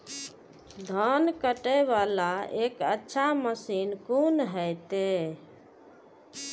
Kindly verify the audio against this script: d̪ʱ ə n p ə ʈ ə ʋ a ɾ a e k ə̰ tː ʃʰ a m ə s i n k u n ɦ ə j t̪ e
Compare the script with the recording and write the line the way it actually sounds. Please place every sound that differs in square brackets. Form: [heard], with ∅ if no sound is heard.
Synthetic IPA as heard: d̪ʱ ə n [k] ə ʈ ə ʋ a [l] a e k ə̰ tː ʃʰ a m ə s i n k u n ɦ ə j t̪ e